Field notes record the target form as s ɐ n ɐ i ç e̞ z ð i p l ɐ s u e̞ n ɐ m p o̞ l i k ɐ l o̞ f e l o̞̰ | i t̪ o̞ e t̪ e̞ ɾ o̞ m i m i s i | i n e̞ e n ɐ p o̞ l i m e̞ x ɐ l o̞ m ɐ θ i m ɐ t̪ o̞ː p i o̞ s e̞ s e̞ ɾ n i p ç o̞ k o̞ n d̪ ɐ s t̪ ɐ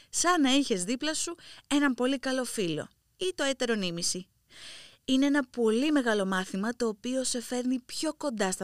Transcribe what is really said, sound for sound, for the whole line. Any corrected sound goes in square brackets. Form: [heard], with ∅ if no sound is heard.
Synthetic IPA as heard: s ɐ n ɐ i ç e̞ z ð i p l ɐ s u e̞ n ɐ m p o̞ l i k ɐ l o̞ f [i] l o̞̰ | i t̪ o̞ e t̪ e̞ ɾ o̞ [n] i m i s i | i n e̞ e n ɐ p o̞ l i m e̞ [ɣ] ɐ l o̞ m ɐ θ i m ɐ t̪ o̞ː p i o̞ s e̞ [f] e̞ ɾ n i p ç o̞ k o̞ n d̪ ɐ s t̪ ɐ